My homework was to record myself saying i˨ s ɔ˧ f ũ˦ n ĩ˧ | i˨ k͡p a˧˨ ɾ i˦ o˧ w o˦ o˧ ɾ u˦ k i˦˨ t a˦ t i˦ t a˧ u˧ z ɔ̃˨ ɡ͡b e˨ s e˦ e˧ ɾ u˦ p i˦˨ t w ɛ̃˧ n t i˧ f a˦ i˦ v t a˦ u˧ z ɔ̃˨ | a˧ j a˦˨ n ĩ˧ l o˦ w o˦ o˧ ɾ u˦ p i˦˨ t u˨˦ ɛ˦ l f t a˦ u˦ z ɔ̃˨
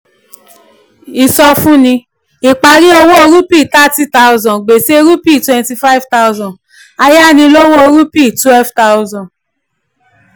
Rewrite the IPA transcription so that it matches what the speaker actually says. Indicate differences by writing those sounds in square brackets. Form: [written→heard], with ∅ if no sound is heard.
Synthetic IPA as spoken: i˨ s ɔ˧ f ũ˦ n ĩ˧ | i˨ k͡p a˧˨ ɾ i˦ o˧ w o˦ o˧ ɾ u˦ [k→p] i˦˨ t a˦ t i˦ t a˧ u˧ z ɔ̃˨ ɡ͡b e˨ s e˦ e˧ ɾ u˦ p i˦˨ t w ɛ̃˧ n t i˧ f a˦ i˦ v t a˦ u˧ z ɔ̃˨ | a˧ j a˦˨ n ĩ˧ l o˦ w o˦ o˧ ɾ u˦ p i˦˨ t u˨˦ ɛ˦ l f t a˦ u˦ z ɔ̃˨